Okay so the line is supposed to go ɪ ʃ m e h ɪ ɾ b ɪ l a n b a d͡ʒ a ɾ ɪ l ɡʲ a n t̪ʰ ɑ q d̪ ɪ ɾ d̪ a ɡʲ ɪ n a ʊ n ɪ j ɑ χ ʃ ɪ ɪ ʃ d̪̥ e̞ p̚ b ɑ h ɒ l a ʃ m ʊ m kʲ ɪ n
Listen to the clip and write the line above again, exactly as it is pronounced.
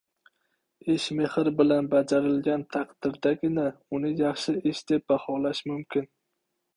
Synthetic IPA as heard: ɪ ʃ m e h ɪ ɾ b ɪ l a n b a d͡ʒ a ɾ ɪ l ɡʲ a n t̪ʰ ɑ q d̪ ɪ ɾ d̪ a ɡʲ ɪ n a ʊ n ɪ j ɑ χ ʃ ɪ ɪ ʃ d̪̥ e̞ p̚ b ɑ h ɒ l a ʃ m ʊ m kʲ ɪ n